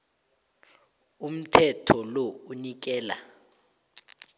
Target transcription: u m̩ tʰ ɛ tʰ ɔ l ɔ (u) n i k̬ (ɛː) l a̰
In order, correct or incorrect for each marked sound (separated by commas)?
correct, correct